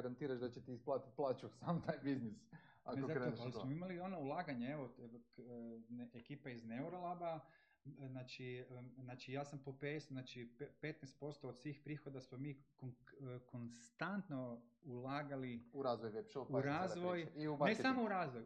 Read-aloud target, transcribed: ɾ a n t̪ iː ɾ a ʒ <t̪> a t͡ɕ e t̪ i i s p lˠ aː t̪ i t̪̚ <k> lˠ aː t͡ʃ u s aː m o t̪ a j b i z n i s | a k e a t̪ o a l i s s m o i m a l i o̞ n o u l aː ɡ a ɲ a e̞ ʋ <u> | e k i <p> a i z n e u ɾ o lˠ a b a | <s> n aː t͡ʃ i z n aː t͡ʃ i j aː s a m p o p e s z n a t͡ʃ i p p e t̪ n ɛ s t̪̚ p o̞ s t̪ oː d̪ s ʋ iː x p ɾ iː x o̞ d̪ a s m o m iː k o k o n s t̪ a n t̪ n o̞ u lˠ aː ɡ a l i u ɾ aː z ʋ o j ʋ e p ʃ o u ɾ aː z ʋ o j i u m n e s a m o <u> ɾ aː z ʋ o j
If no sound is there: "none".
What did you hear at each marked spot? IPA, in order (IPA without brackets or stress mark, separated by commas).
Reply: d̪, p, o, p, z, u